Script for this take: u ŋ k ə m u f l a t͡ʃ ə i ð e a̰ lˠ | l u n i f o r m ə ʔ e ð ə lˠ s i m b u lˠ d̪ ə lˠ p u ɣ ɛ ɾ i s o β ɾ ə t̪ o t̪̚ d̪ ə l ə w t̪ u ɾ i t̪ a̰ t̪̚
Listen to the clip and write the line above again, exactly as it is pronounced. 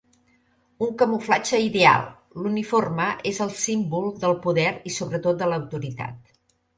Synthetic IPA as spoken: u ŋ k ə m u f l a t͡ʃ ə i ð e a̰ lˠ | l u n i f o r m ə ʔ e z ə lˠ s i m b u lˠ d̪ ə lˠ p u ð ɛ ɾ i s o β ɾ ə t̪ o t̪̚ d̪ ə l ə w t̪ u ɾ i t̪ a̰ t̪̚